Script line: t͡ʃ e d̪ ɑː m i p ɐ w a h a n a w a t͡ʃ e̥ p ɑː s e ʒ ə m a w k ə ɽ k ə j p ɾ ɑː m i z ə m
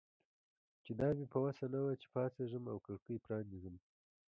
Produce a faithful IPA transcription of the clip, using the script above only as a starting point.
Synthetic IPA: t͡ʃ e d̪ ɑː m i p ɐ w a s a n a w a t͡ʃ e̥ p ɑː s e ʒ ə m a w k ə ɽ k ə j p ɾ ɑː n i z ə m